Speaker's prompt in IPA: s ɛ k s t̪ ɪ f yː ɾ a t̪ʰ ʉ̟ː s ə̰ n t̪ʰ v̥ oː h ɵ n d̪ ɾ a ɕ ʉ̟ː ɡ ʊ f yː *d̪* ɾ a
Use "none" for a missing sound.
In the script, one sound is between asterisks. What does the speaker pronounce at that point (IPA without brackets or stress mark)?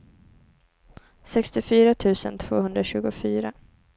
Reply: none